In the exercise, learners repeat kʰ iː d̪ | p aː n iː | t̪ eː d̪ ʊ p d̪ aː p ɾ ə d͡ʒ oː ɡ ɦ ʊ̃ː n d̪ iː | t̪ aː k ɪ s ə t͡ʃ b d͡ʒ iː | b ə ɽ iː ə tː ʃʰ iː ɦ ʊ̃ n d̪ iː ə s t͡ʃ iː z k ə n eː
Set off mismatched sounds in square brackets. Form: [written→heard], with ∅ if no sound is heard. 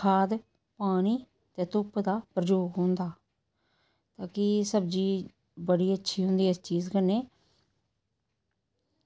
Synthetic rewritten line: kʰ [iː→aː] d̪ | p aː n iː | t̪ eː [d̪→t̪] ʊ p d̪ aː p ɾ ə d͡ʒ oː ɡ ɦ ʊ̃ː n d̪ [iː→aː] | t̪ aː k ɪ s ə [t͡ʃ→∅] b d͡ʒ iː | b ə ɽ iː ə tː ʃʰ iː ɦ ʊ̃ n d̪ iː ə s t͡ʃ iː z k ə n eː